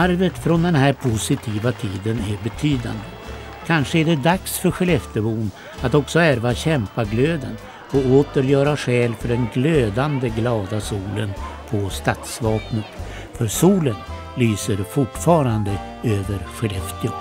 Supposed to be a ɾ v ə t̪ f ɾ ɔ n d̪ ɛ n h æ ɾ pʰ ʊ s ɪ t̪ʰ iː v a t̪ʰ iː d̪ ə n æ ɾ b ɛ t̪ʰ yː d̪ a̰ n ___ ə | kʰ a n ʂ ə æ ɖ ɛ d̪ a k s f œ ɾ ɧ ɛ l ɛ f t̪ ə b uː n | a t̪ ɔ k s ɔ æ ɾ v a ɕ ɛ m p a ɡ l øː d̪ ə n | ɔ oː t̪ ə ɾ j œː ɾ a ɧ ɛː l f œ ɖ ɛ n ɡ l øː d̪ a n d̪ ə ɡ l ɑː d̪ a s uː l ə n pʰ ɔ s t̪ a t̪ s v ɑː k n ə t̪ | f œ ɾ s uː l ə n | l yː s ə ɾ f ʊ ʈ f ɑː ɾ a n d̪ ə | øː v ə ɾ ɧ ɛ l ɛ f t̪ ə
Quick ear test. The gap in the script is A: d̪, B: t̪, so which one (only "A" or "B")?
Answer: A